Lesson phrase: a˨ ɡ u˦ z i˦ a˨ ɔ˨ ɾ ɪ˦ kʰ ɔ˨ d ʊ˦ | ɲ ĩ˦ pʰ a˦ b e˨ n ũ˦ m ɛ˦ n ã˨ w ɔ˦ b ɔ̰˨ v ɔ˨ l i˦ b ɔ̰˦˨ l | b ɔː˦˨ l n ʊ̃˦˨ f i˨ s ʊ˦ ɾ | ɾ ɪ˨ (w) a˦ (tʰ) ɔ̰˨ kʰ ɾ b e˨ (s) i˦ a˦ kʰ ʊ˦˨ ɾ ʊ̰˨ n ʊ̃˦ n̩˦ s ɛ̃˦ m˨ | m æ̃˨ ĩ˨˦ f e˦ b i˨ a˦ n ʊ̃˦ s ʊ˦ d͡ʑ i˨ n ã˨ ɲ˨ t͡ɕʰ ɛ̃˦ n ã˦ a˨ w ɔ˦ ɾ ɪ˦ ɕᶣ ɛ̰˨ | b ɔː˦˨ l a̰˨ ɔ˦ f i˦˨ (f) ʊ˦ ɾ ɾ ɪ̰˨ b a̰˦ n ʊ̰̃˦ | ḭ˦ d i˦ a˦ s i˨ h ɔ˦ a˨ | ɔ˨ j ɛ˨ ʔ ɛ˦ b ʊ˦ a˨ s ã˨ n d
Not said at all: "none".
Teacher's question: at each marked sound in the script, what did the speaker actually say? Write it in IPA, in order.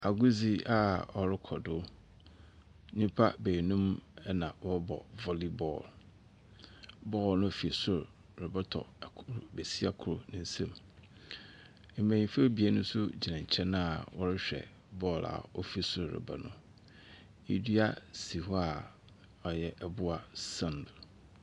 b, tʰ, s, s

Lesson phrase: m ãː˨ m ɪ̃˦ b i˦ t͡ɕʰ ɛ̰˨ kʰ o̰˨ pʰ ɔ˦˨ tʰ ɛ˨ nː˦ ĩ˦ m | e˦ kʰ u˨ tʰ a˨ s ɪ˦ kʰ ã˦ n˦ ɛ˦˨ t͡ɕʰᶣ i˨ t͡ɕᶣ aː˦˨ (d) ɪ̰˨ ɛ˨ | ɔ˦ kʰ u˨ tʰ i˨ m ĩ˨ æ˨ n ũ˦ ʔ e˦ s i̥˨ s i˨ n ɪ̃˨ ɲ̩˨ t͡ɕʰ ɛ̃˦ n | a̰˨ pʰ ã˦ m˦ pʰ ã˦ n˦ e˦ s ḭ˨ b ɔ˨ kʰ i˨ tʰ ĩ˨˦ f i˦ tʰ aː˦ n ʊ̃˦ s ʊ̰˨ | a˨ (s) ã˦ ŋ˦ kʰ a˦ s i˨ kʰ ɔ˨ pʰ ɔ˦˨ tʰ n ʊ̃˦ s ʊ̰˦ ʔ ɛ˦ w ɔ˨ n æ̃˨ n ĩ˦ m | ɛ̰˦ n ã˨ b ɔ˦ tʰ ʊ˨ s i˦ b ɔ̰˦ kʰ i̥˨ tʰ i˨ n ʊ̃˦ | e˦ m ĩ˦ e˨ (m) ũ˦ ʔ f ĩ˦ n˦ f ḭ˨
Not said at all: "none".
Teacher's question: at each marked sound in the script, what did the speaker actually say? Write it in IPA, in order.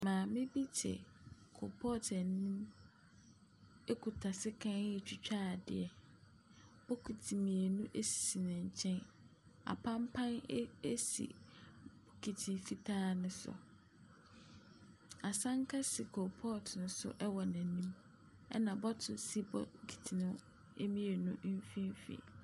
d, s, n

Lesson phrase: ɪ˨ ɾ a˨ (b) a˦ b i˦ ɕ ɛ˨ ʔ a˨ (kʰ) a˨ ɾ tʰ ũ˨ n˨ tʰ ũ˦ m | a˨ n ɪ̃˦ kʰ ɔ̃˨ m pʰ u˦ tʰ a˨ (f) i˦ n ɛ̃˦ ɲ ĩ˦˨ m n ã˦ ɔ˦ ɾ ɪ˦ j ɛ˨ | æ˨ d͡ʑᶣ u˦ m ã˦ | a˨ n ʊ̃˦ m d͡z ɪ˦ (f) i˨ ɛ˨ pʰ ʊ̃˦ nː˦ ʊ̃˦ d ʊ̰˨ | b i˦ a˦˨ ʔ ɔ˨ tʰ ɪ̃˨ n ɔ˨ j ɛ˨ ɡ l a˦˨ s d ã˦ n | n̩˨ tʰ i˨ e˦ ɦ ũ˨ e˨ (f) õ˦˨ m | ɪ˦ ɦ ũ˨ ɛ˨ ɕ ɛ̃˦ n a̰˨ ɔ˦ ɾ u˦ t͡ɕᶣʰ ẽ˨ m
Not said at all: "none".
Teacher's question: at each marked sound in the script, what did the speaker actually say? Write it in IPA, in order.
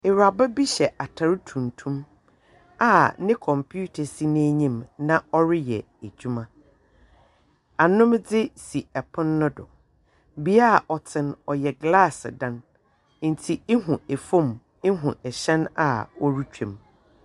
b, tʰ, s, s, f

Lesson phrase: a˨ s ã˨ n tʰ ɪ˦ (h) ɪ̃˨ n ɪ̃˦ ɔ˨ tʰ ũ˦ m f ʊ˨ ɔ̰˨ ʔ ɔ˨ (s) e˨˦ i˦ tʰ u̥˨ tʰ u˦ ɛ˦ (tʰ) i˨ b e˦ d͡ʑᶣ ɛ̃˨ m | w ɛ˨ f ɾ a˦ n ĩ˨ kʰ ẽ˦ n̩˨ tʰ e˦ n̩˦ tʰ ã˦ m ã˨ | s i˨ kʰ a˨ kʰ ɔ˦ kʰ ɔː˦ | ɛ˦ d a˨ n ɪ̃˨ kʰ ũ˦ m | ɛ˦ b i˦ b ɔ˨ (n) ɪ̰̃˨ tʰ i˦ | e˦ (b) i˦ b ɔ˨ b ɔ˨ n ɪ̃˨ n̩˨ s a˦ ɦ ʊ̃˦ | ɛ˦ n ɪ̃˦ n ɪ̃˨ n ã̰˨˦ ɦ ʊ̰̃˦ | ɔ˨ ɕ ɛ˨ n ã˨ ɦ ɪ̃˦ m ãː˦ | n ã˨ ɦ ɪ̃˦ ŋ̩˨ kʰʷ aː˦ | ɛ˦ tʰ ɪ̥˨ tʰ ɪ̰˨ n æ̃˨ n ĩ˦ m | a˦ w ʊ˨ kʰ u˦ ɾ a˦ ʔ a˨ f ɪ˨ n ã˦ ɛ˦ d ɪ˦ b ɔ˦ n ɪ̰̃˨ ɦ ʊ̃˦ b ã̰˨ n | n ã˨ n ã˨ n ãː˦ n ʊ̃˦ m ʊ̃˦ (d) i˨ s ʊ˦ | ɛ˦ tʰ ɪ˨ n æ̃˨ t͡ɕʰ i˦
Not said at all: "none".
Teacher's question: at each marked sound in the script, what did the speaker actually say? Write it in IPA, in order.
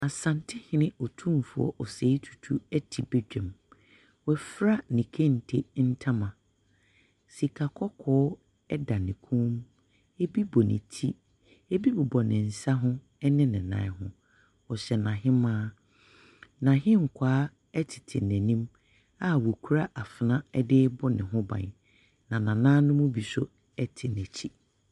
h, s, tʰ, n, b, b

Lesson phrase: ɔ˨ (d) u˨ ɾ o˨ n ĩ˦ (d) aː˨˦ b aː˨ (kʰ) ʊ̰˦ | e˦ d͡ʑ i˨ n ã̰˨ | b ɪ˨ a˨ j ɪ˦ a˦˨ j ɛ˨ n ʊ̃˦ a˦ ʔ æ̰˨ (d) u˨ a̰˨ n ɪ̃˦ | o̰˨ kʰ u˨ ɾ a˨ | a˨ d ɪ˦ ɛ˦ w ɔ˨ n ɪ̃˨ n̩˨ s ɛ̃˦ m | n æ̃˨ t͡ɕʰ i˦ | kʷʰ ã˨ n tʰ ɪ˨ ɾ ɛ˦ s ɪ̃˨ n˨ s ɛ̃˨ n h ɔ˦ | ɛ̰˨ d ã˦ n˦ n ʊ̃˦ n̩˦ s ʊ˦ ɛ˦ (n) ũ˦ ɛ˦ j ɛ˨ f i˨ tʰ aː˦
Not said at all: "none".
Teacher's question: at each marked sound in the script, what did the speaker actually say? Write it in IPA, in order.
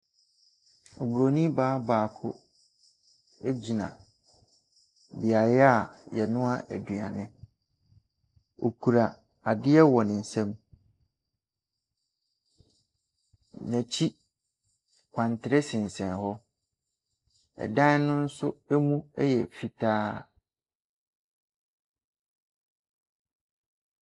b, b, kʰ, d, m

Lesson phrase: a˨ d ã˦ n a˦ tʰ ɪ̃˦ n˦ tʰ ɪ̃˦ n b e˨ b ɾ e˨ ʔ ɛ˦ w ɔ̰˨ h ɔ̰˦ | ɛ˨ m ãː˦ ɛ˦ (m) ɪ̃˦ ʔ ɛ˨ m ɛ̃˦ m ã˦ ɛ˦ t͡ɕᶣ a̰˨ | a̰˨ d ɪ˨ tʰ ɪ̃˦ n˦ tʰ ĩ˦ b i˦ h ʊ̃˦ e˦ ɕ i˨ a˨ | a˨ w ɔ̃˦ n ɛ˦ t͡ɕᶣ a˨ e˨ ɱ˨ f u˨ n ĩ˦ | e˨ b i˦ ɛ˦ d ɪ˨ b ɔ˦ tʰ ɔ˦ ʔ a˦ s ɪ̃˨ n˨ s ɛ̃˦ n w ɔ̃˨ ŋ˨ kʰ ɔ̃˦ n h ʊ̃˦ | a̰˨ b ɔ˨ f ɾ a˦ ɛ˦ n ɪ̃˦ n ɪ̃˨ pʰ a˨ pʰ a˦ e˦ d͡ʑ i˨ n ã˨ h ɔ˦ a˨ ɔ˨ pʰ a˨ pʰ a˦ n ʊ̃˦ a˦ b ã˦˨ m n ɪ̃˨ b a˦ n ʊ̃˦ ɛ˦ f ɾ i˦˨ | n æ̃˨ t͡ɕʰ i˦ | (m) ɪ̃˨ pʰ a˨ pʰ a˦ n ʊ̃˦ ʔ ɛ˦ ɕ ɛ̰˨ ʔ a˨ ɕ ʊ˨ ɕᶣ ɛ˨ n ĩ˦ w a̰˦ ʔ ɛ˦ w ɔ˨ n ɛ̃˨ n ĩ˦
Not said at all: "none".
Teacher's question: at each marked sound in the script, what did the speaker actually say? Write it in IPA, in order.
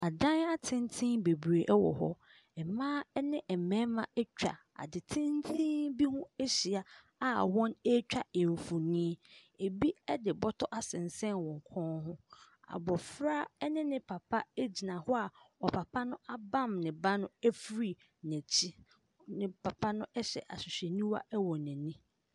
n, n

